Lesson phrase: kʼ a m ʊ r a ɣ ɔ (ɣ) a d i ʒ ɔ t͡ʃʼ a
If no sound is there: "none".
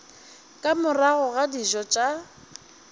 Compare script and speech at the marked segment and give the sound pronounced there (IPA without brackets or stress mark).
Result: ɣ